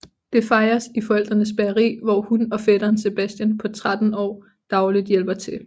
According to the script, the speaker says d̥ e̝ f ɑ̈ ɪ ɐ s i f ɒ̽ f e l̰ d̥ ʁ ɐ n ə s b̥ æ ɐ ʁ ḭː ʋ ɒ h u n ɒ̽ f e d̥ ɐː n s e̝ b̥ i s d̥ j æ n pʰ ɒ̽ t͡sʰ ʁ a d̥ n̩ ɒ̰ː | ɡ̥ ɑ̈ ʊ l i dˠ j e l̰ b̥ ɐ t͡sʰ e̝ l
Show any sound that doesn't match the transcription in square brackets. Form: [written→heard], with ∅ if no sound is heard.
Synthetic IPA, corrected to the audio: d̥ e̝ f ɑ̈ ɪ ɐ s i f ɒ̽ [f→∅] e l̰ d̥ ʁ ɐ n ə s b̥ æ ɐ ʁ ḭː ʋ ɒ h u n ɒ̽ f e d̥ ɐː n s e̝ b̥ [i→æ] s d̥ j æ n pʰ ɒ̽ t͡sʰ ʁ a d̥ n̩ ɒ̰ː | [ɡ̥→d̥] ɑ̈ ʊ l i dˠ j e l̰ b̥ ɐ t͡sʰ e̝ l